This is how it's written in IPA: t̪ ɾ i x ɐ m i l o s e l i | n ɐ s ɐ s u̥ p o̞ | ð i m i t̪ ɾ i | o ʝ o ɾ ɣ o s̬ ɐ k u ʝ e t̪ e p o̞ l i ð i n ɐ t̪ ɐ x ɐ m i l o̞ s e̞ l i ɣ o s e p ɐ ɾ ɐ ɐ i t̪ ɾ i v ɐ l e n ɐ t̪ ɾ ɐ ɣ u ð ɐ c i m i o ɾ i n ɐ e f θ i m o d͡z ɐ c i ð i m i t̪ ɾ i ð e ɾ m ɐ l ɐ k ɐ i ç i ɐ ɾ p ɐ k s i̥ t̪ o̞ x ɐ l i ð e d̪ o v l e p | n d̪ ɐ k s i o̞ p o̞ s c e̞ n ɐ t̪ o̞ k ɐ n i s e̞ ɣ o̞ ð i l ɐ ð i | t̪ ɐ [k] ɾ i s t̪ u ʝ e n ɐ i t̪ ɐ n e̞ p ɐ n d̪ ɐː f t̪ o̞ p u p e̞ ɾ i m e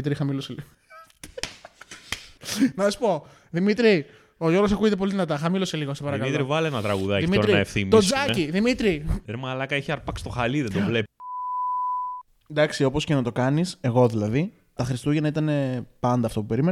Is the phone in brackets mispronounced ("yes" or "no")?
yes